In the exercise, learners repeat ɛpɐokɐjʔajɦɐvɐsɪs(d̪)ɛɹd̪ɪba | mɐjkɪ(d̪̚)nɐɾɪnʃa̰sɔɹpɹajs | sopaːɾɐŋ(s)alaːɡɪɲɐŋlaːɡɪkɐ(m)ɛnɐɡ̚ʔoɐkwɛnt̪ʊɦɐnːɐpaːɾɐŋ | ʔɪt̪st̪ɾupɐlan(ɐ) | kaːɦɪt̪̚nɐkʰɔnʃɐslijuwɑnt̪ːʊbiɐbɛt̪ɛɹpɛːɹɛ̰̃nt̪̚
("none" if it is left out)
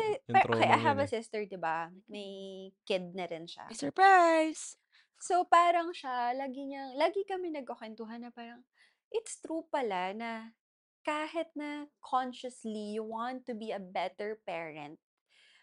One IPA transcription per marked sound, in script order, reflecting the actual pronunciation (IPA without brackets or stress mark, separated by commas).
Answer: t̪, d̪̚, ʃ, m, ɐ